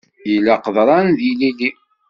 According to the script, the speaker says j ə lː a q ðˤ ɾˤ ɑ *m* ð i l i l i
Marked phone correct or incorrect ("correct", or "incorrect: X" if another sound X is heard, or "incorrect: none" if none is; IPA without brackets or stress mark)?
incorrect: n